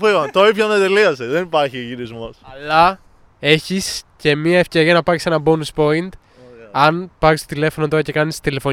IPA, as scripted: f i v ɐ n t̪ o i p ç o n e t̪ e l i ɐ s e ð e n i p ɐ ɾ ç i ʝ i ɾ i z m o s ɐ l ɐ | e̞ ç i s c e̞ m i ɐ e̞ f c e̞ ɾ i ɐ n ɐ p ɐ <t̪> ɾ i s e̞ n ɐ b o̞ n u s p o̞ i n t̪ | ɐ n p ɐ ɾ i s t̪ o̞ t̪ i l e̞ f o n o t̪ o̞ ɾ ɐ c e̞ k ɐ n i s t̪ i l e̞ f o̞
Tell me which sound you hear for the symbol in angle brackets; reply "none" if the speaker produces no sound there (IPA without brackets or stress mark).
none